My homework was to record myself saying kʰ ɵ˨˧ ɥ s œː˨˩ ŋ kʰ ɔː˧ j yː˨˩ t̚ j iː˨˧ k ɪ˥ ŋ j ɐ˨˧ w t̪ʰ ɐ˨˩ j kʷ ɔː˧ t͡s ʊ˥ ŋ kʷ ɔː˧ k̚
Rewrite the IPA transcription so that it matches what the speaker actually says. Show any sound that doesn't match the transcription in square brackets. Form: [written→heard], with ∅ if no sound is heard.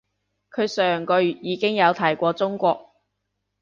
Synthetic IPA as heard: kʰ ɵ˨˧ ɥ s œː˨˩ ŋ [kʰ→k] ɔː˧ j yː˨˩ t̚ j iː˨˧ k ɪ˥ ŋ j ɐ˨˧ w t̪ʰ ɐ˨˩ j kʷ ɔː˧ t͡s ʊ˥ ŋ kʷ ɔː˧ k̚